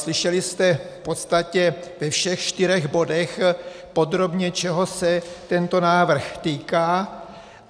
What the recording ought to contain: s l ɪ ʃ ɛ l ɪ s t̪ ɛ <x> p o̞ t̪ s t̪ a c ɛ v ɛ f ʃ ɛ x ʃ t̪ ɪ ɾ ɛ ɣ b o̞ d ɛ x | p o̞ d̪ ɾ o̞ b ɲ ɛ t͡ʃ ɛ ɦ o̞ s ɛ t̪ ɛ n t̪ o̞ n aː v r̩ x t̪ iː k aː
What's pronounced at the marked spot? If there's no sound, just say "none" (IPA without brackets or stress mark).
f